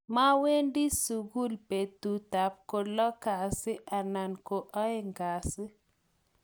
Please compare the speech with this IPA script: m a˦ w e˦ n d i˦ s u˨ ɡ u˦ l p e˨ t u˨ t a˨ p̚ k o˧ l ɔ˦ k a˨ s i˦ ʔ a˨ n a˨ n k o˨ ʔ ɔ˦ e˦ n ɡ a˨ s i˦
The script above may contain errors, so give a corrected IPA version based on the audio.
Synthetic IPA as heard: m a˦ w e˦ n d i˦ s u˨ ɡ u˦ l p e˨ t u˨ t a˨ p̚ k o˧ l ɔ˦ k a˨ s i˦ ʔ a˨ n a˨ n k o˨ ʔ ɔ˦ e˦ ŋ ɡ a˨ s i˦